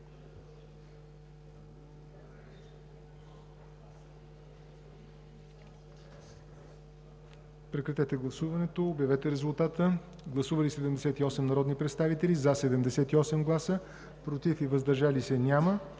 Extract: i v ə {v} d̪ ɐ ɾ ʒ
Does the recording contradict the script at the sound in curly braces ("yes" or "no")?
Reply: yes